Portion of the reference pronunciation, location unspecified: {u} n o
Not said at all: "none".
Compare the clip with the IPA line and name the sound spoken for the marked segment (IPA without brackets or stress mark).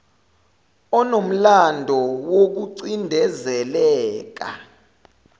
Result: ɔ